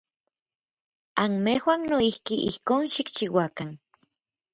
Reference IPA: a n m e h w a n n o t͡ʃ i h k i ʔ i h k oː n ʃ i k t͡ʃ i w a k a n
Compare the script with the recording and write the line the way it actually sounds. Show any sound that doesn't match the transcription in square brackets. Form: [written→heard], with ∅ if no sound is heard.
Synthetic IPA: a n m e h w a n n o [t͡ʃ→∅] i h k i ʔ i h k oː n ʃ i k t͡ʃ i w a k a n